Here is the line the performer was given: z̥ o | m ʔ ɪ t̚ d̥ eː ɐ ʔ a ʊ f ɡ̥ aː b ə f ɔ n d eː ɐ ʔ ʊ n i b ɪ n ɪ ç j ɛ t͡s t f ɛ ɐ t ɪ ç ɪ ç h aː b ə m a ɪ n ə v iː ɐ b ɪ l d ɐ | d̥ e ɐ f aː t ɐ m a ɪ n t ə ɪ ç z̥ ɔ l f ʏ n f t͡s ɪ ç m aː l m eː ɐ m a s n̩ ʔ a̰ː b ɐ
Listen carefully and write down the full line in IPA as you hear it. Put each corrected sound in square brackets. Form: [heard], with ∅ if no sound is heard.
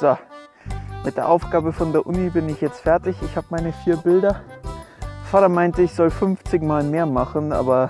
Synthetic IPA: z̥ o | m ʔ ɪ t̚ d̥ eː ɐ ʔ a ʊ f ɡ̥ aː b ə f ɔ n d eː ɐ ʔ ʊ n i b ɪ n ɪ ç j ɛ t͡s t f ɛ ɐ t ɪ ç ɪ ç h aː b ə m a ɪ n ə [f] iː ɐ b ɪ l d ɐ | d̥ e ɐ f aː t ɐ m a ɪ n t ə ɪ ç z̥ ɔ l f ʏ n f t͡s ɪ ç m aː l m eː ɐ m a [χ] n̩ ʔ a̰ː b ɐ